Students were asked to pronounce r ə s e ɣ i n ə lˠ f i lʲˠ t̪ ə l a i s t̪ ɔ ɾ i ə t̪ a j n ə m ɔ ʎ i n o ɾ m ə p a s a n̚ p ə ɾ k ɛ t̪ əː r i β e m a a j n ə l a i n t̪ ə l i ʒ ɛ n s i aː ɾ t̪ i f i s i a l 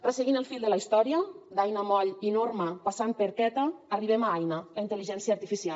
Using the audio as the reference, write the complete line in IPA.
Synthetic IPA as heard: r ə s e ɣ i n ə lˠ f i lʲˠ d̪ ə l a i s t̪ ɔ ɾ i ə d̪ a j n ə m ɔ ʎ i n o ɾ m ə p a s a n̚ p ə ɾ k ɛ t̪ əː r i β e m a a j n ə l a i n t̪ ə l i ʒ ɛ n s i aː ɾ t̪ i f i s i a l